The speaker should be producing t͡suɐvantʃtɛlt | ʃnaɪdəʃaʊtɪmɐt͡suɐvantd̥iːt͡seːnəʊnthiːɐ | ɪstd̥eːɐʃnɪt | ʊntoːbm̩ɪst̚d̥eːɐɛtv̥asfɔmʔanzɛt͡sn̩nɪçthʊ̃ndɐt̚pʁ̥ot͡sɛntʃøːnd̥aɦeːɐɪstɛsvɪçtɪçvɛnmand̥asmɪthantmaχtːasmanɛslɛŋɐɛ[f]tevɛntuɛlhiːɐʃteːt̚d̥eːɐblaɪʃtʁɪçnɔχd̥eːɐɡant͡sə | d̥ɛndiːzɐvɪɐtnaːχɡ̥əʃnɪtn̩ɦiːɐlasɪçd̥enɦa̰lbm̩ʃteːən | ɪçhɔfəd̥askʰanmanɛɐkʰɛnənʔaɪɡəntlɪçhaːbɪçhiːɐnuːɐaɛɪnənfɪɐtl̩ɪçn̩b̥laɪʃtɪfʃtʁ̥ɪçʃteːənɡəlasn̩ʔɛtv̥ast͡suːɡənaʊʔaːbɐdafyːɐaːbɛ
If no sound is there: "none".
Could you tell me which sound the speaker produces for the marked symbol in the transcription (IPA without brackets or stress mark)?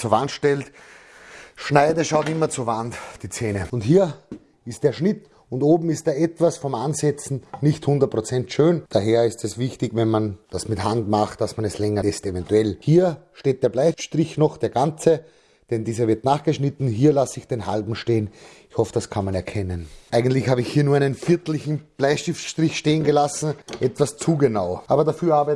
s